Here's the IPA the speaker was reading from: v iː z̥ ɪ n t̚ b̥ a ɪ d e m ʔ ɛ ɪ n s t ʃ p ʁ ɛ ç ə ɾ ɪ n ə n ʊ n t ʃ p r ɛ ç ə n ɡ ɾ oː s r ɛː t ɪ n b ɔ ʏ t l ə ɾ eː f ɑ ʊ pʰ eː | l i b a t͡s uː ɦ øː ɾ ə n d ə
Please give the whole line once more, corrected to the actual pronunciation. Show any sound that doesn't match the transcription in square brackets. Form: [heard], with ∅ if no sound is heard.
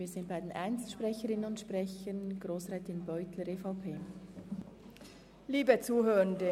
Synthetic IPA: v iː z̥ ɪ n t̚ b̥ a ɪ d e [n] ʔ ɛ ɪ n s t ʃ p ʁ ɛ ç ə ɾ ɪ n ə n ʊ n t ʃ p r ɛ ç ə n ɡ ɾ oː s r ɛː t ɪ n b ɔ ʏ t l ə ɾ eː f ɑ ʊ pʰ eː | l [iː] b [ə] t͡s uː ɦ øː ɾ ə n d ə